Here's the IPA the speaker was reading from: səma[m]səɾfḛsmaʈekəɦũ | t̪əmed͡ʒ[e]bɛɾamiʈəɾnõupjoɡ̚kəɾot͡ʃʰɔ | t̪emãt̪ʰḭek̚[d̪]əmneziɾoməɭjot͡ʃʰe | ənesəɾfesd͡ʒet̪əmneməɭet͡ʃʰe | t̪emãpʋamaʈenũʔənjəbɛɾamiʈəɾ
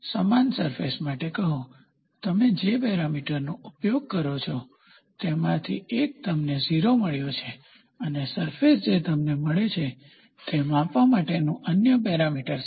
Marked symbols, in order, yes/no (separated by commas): no, yes, no